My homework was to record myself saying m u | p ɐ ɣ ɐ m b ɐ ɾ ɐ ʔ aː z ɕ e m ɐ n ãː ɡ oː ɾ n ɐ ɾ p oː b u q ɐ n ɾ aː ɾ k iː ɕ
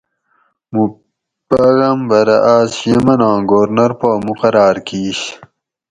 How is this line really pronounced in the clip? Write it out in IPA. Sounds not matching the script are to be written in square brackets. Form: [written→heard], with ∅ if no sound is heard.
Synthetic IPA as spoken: m u | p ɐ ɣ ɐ m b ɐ ɾ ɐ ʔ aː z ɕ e m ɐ n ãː ɡ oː ɾ n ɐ ɾ p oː [b→m] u q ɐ [n→∅] ɾ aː ɾ k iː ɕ